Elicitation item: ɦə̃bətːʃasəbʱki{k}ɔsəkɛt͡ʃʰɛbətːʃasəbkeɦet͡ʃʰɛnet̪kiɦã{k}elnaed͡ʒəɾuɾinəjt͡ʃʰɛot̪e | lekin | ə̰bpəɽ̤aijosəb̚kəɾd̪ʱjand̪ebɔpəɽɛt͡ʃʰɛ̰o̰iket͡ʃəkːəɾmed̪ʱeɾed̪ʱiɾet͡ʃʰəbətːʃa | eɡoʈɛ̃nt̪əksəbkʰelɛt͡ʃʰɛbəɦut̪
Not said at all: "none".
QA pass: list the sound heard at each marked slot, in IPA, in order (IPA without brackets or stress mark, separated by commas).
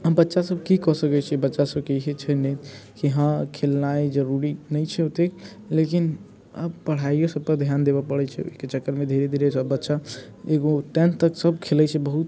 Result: k, kʰ